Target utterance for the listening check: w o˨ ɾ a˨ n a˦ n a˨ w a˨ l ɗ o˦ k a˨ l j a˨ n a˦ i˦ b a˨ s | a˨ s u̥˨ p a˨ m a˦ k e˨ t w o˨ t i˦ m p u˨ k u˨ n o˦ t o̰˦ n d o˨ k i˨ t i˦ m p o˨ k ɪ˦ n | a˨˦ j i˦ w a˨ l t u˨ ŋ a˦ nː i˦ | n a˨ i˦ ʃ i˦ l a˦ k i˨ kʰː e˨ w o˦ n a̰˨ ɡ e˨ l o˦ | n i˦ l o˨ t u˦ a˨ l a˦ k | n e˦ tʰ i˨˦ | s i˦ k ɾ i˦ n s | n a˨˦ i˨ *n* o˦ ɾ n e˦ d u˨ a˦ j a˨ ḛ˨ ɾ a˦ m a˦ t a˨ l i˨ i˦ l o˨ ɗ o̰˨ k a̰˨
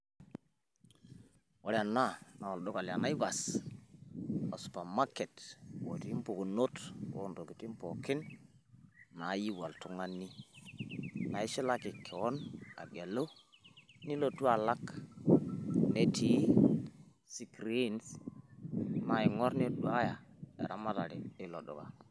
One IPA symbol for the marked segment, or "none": ŋ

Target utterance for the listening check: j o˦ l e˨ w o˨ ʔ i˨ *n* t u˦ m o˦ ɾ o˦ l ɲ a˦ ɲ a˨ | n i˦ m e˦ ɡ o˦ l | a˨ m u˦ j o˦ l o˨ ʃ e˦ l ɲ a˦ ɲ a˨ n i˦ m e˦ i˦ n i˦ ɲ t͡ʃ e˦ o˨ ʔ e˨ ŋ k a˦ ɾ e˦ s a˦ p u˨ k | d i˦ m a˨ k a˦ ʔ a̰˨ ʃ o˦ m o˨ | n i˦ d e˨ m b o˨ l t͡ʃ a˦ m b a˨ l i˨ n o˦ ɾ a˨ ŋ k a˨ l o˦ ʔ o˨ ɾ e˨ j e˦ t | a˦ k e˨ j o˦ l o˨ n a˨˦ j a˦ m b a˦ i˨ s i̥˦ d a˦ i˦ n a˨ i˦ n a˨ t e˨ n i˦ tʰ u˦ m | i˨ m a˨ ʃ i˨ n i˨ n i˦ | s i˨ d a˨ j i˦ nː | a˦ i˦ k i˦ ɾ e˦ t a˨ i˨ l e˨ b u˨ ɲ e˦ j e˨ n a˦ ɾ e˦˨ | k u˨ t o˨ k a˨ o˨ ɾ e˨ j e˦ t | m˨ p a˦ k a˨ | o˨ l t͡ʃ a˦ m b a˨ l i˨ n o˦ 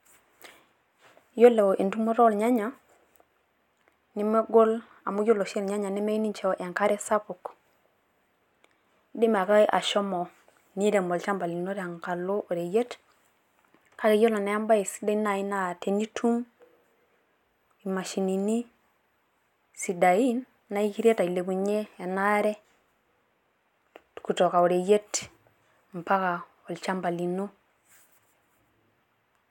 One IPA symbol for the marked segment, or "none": n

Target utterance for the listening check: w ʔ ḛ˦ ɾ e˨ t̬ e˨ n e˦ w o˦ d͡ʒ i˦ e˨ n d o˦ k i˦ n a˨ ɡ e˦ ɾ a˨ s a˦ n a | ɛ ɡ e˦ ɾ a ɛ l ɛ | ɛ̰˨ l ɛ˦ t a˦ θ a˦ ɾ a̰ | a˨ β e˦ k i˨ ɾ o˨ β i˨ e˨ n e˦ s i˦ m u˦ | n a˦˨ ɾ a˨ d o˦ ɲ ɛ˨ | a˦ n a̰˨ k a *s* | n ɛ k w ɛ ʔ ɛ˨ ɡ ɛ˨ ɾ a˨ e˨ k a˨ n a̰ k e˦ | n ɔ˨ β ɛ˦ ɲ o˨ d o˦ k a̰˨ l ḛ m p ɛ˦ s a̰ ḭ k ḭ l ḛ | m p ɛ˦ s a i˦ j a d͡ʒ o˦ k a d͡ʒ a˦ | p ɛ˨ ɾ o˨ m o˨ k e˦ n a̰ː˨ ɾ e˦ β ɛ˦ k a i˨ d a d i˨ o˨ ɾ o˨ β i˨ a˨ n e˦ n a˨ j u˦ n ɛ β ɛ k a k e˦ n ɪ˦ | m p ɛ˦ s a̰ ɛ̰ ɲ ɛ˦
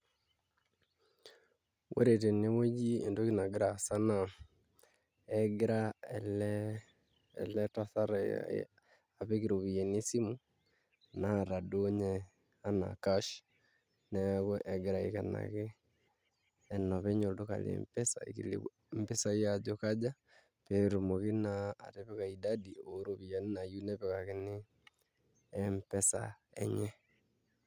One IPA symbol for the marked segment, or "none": ʃ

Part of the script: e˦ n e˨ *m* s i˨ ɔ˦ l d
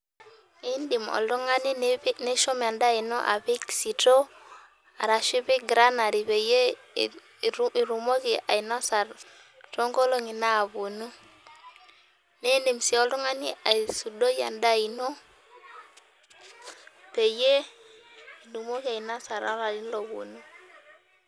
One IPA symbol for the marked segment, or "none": m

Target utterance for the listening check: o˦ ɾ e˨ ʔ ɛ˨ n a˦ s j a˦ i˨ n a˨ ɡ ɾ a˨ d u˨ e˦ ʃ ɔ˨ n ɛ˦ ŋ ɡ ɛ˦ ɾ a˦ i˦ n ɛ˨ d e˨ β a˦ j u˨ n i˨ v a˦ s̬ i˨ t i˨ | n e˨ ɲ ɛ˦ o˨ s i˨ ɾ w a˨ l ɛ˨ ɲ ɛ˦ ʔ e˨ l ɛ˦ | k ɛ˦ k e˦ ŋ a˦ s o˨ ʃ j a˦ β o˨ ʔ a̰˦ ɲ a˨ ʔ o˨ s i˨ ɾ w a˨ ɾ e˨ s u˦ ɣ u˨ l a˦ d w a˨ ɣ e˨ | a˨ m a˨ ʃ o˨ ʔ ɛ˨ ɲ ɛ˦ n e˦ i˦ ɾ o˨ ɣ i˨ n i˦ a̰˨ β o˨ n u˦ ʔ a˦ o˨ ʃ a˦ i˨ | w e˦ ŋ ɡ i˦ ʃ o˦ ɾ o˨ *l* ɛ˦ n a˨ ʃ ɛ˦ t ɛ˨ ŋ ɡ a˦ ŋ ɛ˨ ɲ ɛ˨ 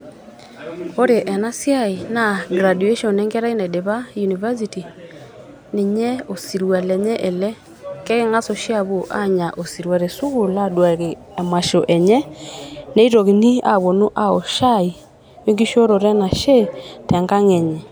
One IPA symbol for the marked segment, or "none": ɾ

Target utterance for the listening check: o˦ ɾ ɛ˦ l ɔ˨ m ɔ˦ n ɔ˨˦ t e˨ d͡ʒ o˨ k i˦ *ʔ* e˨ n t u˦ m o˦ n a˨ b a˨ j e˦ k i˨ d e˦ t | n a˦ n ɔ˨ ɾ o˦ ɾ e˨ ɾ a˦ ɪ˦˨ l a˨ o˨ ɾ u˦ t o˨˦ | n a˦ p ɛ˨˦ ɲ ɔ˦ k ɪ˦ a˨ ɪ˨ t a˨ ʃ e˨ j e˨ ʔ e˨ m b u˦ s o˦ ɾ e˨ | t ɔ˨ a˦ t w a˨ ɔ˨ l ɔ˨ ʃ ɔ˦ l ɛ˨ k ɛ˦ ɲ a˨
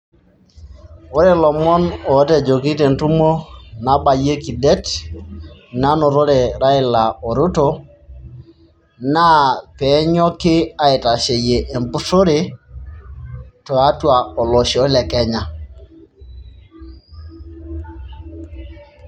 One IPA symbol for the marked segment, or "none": t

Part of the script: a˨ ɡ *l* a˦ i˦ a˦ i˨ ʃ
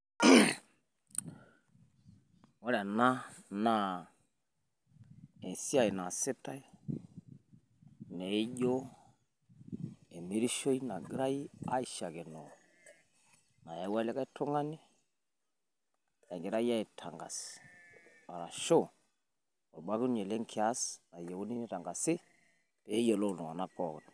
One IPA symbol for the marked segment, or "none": ɾ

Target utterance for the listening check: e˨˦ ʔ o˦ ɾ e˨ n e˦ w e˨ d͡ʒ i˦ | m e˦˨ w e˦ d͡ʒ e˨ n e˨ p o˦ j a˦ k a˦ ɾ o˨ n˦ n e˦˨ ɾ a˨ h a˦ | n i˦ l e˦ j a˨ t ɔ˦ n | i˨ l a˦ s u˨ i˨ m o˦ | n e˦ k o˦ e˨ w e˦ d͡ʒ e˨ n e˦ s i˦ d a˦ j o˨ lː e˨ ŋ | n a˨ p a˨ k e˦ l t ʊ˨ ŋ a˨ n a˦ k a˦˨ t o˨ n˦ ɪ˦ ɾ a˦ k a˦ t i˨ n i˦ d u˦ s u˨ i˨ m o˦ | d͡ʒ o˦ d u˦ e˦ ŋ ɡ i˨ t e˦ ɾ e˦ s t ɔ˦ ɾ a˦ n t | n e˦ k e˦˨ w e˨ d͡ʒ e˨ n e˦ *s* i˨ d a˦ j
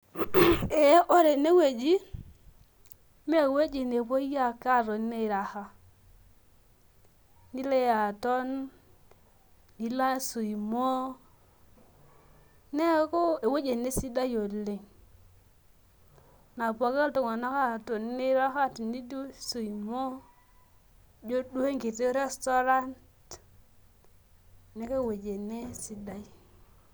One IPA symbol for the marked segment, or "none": s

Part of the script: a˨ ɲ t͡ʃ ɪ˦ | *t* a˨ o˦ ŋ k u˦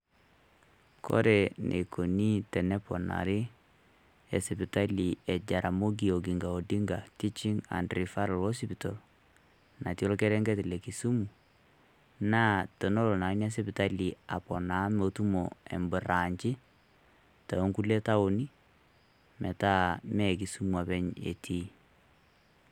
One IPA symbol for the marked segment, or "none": t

